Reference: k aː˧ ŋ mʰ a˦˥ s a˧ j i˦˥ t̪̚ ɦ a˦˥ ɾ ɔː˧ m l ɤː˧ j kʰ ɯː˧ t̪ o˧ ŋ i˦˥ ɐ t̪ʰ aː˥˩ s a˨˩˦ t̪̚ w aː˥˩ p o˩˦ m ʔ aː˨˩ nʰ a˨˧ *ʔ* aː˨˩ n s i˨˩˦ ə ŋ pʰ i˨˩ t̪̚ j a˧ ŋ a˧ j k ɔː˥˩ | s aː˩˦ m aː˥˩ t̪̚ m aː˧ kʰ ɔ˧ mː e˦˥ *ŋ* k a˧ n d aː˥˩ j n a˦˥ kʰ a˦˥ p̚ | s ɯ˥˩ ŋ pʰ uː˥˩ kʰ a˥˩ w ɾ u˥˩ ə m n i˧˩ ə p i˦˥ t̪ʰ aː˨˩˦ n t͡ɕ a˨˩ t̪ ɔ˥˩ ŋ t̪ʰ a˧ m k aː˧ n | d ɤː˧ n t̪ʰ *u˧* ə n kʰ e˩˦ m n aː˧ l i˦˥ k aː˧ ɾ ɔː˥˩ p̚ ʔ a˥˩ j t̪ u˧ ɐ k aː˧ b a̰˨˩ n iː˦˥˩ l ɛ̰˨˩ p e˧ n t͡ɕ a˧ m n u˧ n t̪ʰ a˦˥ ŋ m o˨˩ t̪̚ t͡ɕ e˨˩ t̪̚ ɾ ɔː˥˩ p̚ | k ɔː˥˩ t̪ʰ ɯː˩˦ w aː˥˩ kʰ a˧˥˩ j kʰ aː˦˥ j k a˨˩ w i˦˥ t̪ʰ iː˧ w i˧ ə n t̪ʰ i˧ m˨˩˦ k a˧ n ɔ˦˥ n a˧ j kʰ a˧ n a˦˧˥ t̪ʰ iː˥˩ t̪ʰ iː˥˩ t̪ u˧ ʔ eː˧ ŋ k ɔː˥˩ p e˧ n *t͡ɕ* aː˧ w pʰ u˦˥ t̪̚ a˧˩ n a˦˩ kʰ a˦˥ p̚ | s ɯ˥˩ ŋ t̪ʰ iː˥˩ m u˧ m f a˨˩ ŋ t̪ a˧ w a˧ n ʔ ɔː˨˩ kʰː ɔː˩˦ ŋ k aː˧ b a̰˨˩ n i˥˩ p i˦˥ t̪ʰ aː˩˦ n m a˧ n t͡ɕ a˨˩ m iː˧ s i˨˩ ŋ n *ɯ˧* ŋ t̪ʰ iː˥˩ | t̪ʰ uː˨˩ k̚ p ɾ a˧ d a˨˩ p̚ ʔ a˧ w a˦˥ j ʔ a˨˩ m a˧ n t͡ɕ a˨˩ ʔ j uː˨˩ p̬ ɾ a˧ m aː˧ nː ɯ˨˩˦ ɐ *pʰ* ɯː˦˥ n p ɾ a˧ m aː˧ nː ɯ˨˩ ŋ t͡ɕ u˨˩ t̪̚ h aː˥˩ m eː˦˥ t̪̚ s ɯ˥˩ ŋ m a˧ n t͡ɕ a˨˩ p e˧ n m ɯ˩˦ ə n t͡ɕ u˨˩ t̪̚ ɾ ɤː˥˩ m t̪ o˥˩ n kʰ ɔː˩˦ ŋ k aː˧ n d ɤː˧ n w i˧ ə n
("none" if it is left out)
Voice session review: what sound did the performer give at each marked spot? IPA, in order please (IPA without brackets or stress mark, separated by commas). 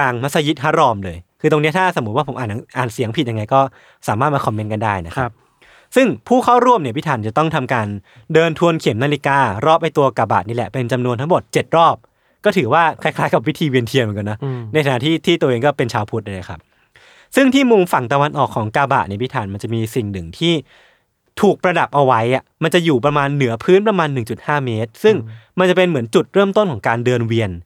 ʔ, n, u˧, t͡ɕʰ, ɯ˨˩, pʰ